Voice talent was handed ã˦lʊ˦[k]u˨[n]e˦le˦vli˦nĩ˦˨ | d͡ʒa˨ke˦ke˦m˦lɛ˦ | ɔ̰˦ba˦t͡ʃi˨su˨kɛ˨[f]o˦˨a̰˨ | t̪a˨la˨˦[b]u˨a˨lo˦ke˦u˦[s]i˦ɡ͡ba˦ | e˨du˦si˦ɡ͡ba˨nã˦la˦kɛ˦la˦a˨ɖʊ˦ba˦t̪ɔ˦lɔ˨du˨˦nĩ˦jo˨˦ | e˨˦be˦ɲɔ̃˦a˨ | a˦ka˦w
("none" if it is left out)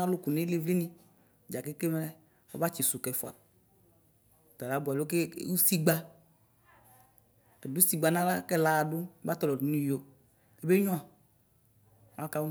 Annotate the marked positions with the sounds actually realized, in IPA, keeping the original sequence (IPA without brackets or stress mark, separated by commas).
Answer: k, n, f, b, s